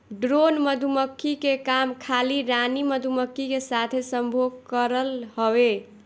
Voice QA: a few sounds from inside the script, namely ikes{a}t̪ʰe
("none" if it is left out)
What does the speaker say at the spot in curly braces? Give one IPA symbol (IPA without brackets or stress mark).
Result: a